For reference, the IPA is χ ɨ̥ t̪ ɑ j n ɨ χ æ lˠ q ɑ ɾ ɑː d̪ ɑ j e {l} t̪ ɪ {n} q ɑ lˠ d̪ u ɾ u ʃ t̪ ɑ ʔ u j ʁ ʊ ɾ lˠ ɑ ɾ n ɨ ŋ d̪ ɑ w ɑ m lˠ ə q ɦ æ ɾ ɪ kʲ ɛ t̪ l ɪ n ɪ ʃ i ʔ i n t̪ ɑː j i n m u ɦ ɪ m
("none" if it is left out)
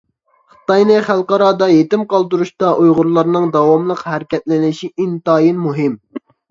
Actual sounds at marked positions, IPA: none, m

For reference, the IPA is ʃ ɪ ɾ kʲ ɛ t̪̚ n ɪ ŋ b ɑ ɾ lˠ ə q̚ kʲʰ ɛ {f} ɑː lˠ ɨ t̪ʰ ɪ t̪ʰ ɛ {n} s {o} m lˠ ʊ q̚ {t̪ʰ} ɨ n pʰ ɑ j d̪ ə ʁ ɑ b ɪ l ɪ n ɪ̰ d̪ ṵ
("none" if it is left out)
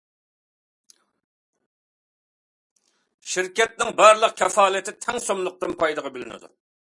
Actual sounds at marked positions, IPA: f, ŋ, o, t̪

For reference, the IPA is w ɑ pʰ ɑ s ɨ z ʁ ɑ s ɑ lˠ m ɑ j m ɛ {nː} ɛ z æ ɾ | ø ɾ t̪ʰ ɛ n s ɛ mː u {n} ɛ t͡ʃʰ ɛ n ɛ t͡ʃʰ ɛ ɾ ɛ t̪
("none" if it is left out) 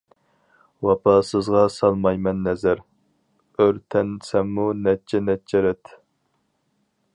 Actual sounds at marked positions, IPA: nː, n

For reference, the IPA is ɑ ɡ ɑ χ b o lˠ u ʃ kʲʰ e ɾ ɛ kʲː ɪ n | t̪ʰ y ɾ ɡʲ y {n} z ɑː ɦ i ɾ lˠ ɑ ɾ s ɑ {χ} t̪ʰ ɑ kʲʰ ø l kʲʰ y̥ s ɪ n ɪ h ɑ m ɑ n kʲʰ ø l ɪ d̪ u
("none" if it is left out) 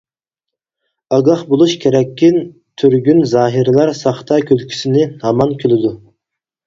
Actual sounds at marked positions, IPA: n, χ

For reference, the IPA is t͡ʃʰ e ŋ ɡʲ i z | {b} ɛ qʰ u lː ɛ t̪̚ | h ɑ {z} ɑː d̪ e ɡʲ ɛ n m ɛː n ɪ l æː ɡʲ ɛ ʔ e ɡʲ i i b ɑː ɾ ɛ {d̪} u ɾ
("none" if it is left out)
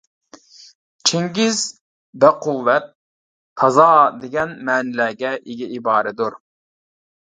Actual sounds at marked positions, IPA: b, z, d̪

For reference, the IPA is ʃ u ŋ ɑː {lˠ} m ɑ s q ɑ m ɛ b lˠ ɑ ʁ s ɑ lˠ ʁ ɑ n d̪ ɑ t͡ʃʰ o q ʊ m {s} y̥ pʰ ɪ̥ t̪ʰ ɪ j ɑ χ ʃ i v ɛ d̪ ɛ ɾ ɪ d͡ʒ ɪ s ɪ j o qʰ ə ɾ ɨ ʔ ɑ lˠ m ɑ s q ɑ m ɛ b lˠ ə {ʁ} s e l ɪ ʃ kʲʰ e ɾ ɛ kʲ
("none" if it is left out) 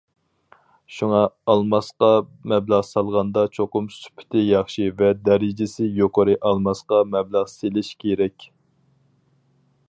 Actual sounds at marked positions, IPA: lˠ, s, ʁ

